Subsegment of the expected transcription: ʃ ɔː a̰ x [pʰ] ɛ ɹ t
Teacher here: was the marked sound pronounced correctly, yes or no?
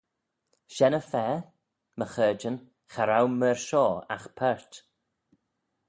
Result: yes